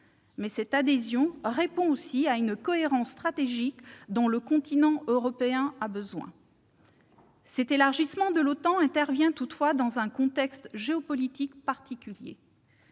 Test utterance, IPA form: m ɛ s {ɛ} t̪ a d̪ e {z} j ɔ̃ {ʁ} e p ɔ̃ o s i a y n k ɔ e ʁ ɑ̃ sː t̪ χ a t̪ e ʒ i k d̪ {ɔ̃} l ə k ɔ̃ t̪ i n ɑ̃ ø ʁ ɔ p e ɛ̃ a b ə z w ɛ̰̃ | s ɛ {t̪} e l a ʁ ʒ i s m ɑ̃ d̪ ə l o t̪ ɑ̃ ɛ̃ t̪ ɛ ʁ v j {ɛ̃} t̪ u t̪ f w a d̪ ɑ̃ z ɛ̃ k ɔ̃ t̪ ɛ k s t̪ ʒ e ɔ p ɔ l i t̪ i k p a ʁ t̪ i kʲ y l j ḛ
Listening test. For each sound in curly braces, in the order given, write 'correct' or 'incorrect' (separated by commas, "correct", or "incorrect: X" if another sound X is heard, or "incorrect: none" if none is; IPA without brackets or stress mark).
correct, correct, correct, correct, correct, correct